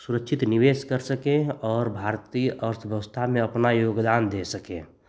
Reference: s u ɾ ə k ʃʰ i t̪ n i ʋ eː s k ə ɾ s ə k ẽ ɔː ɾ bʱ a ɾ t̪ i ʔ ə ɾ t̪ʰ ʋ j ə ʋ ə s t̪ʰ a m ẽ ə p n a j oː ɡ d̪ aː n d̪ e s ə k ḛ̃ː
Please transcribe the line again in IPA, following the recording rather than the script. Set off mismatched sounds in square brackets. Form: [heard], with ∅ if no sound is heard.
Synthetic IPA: s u ɾ ə k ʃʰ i t̪ n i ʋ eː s k ə ɾ s ə k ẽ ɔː ɾ bʱ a ɾ t̪ i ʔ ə ɾ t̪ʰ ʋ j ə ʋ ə s t̪ʰ a m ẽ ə p n a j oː ɡ d̪ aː n d̪ e s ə k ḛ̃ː